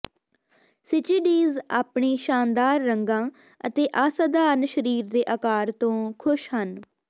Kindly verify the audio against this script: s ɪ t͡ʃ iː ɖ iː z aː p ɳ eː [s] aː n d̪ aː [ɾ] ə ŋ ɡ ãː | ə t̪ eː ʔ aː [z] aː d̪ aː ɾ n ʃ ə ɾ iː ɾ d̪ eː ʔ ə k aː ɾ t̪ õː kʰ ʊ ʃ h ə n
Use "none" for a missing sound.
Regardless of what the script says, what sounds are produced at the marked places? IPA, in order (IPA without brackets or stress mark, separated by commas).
ʃ, ɾː, s